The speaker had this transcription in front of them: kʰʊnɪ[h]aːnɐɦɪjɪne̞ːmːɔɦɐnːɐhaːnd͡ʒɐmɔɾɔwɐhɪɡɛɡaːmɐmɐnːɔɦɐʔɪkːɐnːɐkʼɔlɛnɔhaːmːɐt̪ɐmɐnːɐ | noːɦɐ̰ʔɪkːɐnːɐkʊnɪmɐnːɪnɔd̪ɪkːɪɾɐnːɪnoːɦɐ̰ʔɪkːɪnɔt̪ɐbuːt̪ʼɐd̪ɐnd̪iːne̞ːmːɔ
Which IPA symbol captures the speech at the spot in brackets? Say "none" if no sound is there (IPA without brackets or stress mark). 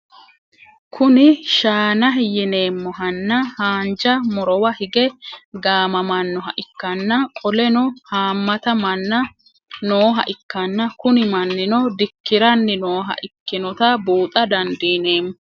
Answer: ʃ